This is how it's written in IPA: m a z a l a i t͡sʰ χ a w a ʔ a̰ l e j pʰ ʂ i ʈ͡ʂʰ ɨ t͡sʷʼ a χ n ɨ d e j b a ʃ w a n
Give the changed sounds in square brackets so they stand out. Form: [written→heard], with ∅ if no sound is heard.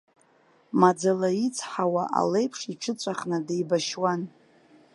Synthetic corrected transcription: m a [z→d͡z] a l a i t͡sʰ [χ→ħ] a w a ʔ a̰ l e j pʰ ʂ i ʈ͡ʂʰ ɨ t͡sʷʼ a χ n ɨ d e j b a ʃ w a n